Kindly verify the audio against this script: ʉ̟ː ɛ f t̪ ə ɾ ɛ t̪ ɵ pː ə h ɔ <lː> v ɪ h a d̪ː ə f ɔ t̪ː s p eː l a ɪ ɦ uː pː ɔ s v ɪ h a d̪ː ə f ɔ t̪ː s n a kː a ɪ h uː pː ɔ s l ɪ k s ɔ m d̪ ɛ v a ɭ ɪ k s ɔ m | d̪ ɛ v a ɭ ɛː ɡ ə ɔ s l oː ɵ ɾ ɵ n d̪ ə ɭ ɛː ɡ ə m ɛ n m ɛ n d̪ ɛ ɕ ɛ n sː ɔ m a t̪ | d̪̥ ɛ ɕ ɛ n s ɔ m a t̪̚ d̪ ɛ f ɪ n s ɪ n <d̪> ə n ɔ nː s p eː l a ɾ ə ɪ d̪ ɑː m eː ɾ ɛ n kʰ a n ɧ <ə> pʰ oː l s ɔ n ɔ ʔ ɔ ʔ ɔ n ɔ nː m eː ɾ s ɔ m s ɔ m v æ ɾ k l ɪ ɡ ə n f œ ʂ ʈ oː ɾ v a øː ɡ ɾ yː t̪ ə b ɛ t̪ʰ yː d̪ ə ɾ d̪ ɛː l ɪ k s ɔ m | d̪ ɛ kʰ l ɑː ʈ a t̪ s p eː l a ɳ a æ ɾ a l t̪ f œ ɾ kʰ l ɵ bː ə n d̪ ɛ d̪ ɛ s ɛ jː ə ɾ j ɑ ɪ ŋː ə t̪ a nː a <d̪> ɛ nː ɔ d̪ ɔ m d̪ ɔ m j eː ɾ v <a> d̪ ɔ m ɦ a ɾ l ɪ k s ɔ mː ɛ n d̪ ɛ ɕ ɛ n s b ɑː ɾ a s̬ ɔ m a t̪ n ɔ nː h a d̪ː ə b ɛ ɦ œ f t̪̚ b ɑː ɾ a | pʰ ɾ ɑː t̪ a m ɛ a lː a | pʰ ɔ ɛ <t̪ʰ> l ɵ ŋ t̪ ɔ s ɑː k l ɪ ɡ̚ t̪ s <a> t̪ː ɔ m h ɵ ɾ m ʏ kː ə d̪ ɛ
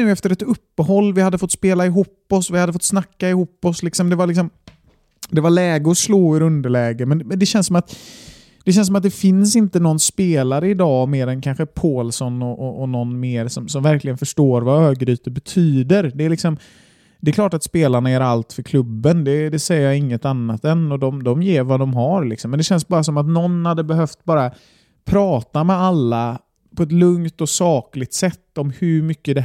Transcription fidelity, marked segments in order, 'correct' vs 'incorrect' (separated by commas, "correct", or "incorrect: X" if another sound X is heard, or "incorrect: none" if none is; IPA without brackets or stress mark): correct, incorrect: t̪, correct, incorrect: t̪, correct, incorrect: t̪, incorrect: ɛ